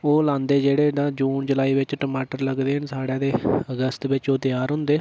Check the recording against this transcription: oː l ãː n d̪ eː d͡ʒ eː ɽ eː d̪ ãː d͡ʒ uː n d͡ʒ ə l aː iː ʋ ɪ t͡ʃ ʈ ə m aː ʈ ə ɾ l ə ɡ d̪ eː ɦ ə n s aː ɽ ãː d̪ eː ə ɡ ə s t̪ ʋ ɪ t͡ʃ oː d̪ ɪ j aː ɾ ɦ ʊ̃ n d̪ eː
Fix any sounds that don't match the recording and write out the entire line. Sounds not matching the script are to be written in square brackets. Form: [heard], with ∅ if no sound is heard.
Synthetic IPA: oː l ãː n d̪ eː d͡ʒ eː ɽ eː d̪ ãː d͡ʒ uː n d͡ʒ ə l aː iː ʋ ɪ t͡ʃ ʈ ə m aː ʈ ə ɾ l ə ɡ d̪ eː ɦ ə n s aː ɽ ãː d̪ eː ə ɡ ə s t̪ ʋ ɪ t͡ʃ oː [t̪] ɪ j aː ɾ ɦ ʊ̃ n d̪ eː